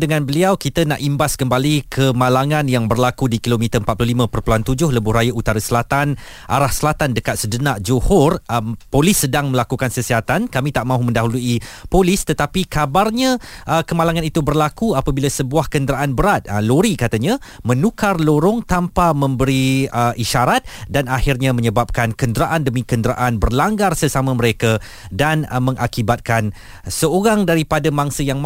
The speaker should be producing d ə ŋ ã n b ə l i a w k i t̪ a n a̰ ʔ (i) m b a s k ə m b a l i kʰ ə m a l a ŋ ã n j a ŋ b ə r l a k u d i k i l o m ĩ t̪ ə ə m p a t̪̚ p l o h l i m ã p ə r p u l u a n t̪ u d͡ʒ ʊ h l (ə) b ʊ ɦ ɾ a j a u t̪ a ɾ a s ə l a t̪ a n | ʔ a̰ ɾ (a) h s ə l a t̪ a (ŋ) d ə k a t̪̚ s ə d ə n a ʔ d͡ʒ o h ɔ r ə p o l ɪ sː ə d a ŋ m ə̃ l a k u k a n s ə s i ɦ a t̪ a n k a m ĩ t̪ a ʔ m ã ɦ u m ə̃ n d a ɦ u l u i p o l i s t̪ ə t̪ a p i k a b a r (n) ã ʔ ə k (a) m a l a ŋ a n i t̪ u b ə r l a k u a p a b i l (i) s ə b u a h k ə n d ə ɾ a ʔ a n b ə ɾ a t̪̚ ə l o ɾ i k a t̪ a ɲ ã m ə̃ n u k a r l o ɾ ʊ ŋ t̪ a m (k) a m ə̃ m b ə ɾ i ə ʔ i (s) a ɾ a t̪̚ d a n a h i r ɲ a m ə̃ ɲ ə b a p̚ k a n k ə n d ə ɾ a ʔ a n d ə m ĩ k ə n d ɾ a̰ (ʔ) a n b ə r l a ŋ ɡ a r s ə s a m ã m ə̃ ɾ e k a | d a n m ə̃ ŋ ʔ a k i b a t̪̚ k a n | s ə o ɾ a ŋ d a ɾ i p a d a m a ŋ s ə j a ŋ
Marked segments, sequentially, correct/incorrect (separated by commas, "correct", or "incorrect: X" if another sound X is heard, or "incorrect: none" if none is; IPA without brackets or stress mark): correct, correct, correct, incorrect: n, incorrect: ɲ, incorrect: ə, incorrect: a, incorrect: p, incorrect: ʃ, correct